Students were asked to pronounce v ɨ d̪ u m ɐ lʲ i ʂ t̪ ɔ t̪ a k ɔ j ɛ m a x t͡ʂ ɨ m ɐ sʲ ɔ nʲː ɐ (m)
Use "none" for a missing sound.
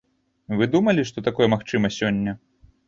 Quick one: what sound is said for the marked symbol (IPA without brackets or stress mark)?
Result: none